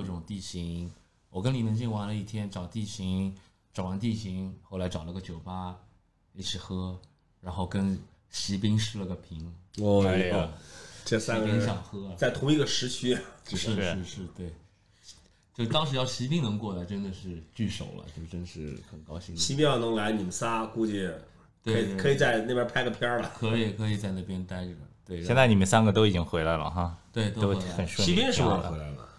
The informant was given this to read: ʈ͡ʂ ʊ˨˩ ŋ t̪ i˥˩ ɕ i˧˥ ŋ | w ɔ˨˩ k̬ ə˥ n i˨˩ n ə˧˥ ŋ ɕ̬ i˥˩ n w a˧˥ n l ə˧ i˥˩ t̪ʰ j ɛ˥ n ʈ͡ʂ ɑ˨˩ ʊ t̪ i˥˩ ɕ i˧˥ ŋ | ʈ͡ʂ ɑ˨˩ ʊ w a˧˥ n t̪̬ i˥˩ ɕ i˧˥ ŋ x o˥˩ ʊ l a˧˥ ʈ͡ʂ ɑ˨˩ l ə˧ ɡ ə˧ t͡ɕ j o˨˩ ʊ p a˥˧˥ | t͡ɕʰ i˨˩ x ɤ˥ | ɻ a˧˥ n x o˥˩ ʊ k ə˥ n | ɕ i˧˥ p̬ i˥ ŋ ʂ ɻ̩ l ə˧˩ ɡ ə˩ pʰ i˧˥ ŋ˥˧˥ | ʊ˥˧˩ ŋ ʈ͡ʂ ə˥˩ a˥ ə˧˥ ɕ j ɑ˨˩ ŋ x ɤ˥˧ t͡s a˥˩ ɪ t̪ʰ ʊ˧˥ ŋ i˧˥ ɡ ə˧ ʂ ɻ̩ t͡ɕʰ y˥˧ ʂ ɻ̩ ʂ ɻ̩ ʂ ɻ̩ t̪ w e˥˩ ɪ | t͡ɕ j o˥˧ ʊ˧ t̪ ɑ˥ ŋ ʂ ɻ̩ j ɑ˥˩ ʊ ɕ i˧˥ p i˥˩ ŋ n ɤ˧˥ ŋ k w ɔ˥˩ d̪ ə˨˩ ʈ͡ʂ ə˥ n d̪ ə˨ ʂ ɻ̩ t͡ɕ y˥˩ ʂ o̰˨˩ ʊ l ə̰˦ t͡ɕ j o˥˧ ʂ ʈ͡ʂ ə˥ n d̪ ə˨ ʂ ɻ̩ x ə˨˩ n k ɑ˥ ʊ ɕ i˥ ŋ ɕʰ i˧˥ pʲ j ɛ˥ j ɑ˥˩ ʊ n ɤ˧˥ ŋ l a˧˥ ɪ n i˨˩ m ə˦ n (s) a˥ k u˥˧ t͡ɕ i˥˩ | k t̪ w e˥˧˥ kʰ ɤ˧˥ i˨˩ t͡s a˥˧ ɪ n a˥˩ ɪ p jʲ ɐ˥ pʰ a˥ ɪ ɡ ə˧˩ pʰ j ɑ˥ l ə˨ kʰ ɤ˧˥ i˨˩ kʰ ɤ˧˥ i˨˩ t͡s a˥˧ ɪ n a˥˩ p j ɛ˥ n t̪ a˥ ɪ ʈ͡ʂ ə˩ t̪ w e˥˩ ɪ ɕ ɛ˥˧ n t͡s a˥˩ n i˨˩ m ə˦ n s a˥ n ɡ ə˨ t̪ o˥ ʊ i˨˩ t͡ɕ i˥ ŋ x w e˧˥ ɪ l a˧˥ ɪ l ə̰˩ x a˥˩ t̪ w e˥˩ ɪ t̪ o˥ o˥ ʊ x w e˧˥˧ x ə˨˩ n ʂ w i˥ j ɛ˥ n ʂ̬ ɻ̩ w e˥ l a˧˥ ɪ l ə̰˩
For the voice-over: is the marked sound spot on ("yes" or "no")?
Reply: yes